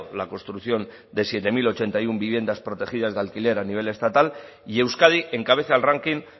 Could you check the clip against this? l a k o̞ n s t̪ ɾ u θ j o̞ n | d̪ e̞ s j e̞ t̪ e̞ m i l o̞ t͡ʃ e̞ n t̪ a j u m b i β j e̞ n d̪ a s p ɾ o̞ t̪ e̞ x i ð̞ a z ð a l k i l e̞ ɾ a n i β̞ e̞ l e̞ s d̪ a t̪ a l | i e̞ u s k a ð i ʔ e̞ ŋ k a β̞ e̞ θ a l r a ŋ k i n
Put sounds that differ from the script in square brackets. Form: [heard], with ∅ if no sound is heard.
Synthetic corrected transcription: l a k o̞ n s t̪ ɾ u θ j o̞ n | d̪ e̞ s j e̞ t̪ e̞ m i l o̞ t͡ʃ e̞ n t̪ a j u m b i β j e̞ n d̪ a s p ɾ o̞ t̪ e̞ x i ð̞ a z ð a l k i l e̞ ɾ a n i β̞ e̞ l e̞ s [t̪] a t̪ a l | i e̞ [w] s k a ð i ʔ e̞ ŋ k a β̞ e̞ θ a l r a ŋ k i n